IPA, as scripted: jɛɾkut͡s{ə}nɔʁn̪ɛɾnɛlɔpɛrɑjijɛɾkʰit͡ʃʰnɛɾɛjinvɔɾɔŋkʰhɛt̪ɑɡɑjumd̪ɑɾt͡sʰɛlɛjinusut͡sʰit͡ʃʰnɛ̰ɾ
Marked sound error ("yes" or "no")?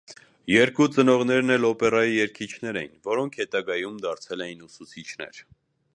no